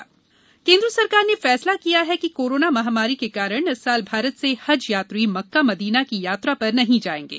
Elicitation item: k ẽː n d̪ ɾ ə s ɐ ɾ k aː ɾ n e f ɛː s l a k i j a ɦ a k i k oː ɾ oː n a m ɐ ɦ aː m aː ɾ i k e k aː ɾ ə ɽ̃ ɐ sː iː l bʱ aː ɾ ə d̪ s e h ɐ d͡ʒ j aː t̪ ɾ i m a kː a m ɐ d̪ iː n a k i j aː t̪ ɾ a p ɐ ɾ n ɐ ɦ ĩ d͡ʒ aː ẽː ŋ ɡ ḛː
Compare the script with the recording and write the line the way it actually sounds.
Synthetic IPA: k ẽː n d̪ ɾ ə s ɐ ɾ k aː ɾ n e f ɛː s l a k i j a ɦ ɛ k i k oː ɾ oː n a m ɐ ɦ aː m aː ɾ i k e k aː ɾ ə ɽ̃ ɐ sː aː l bʱ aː ɾ ə t̪ s e h ɐ d͡ʒ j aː t̪ ɾ i m ɐ kː a m ɐ d̪ iː n a k i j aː t̪ ɾ a p ɐ ɾ n ɐ ɦ ĩ d͡ʒ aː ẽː ŋ ɡ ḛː